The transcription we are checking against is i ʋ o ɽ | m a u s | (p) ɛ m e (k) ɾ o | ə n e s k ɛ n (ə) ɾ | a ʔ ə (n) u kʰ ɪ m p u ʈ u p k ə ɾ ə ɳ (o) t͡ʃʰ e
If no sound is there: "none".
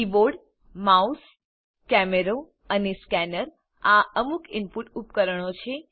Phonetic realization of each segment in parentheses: k, none, ə, m, o

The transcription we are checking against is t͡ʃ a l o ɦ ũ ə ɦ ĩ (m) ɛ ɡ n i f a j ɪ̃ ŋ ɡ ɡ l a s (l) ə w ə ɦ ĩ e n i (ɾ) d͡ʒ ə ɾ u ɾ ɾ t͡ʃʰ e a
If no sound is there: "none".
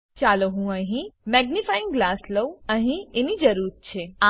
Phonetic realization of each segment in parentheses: m, l, none

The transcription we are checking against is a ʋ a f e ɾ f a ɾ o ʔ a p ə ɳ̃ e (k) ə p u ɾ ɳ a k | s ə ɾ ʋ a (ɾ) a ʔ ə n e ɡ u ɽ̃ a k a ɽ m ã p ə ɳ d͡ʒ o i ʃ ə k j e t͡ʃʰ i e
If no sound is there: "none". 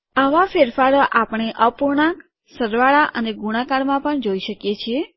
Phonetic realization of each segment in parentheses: ʔ, ɭ

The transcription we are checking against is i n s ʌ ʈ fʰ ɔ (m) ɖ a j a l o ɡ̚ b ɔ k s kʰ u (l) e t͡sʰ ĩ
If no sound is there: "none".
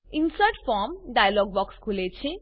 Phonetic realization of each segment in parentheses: m, l

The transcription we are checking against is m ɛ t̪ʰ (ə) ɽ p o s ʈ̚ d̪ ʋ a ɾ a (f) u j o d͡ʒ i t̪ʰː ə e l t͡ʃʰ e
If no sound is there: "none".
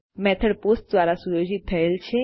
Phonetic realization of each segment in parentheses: ə, s

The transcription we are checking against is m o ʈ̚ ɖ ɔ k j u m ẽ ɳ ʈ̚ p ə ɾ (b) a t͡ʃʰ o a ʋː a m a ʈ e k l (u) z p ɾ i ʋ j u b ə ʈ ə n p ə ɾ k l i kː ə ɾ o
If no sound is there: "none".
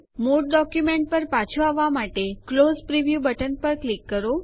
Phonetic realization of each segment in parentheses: p, o

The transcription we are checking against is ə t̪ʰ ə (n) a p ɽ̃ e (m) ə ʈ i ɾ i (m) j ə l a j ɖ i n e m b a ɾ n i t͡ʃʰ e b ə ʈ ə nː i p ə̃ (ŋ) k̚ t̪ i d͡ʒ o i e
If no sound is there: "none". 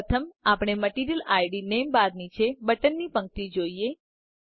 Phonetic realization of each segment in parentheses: m, m, none, ŋ

